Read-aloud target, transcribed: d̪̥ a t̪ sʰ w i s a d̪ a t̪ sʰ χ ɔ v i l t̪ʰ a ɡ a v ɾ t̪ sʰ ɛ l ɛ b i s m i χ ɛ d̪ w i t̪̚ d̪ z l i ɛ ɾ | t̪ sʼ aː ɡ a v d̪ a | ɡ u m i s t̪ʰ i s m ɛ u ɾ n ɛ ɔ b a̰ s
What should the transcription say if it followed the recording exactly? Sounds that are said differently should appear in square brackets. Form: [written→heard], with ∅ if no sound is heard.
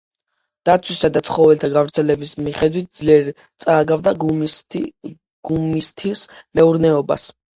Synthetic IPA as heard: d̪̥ a t̪ sʰ w i s a d̪ a t̪ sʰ χ ɔ v [i→ɛ] l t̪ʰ a ɡ a v ɾ t̪ sʰ ɛ l ɛ b i s m i χ ɛ d̪ w i t̪̚ d̪ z l i ɛ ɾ | t̪ sʼ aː ɡ a v d̪ a | ɡ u m i s t̪ʰ i s m ɛ u ɾ n ɛ ɔ b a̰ s